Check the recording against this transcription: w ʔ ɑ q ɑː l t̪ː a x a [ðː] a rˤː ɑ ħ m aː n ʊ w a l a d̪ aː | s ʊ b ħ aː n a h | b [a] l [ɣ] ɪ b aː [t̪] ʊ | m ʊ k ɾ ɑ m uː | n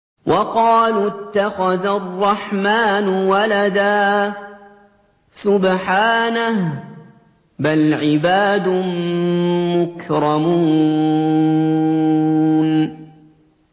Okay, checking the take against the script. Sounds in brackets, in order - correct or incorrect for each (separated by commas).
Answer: incorrect, correct, incorrect, incorrect